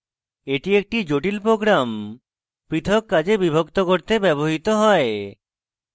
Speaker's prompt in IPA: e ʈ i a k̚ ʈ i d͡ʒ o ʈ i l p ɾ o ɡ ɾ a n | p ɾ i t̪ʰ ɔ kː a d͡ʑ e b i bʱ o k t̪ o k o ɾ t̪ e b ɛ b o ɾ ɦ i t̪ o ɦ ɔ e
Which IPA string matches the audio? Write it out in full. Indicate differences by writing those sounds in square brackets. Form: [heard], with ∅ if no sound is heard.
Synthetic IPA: e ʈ i [e] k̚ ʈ i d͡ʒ o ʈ i l p ɾ o ɡ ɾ a [m] | p ɾ i t̪ʰ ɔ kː a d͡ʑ e b i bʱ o k t̪ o k o ɾ t̪ e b ɛ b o [∅] ɦ i t̪ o ɦ ɔ e